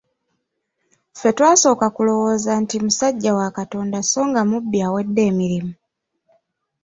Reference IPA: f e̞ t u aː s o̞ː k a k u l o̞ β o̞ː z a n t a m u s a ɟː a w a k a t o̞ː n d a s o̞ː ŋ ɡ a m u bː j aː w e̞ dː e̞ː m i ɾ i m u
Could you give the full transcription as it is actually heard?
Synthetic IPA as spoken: f e̞ t w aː s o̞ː k a k u l o̞ w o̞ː z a n t i m u s a ɟː a w a k a t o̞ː n d a s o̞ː ŋ ɡ a m u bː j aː w e̞ dː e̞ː m i ɾ i m u